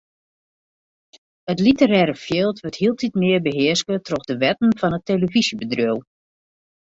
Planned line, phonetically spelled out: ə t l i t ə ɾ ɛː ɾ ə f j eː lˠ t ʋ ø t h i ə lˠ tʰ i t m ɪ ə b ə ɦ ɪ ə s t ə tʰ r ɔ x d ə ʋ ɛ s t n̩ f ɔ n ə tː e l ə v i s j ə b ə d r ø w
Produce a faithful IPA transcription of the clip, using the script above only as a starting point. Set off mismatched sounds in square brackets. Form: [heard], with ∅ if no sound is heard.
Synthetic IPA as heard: ə t l i t ə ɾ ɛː ɾ ə f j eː lˠ t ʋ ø t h i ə lˠ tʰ i t m ɪ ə b ə ɦ ɪ ə s [k] ə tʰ r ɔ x d ə ʋ ɛ [∅] t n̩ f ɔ n ə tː e l ə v i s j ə b ə d r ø w